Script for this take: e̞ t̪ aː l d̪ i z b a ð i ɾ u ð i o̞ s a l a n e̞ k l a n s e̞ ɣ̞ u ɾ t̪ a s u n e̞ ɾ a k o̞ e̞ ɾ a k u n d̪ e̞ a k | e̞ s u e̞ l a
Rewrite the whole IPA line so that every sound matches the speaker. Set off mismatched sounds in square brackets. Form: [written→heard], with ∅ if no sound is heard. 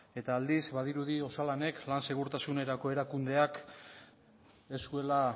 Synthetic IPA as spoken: e̞ t̪ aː l d̪ i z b a ð i ɾ u ð i o̞ s a l a n e̞ k l a n s e̞ ɣ̞ u ɾ t̪ a s u n e̞ ɾ a k o̞ e̞ ɾ a k u n d̪ e̞ a k | e̞ s u e̞ l a